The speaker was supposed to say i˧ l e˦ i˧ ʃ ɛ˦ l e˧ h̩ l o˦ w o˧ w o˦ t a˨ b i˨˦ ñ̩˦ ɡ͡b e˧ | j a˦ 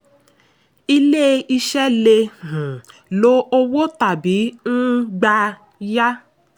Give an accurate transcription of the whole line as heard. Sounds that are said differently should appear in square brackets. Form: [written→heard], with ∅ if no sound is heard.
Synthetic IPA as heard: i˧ l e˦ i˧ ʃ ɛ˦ l e˧ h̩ l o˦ [w→∅] o˧ w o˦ t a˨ b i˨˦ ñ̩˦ ɡ͡b [e˧→a˧] | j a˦